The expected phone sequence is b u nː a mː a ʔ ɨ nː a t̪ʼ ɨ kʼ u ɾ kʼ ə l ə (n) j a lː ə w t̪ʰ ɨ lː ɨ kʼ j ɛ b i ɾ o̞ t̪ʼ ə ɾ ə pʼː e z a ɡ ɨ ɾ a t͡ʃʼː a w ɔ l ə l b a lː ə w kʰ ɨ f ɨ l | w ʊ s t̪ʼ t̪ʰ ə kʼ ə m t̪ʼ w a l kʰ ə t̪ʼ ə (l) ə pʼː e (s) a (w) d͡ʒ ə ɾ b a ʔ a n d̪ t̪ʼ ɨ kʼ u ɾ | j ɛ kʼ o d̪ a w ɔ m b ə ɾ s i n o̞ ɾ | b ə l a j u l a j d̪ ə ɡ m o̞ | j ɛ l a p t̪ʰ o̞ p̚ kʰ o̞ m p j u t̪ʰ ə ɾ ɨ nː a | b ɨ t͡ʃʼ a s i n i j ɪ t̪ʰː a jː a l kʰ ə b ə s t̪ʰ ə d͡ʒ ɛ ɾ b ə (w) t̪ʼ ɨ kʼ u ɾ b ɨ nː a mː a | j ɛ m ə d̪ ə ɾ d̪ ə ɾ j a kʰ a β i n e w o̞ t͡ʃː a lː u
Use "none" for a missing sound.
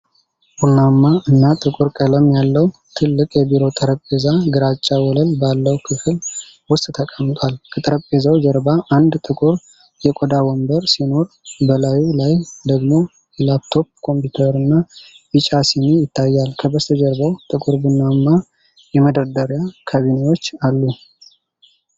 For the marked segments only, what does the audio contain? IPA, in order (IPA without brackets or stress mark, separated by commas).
m, ɾ, z, w, w